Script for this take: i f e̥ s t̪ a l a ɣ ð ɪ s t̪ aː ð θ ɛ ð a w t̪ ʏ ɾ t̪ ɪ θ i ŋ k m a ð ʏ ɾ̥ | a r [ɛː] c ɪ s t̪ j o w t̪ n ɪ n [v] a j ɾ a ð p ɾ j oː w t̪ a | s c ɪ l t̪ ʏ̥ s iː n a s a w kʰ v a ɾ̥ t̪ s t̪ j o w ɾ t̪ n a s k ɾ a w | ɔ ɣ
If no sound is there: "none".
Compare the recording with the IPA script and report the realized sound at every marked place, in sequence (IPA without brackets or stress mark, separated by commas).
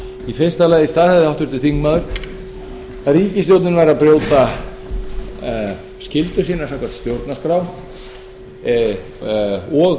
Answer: iː, v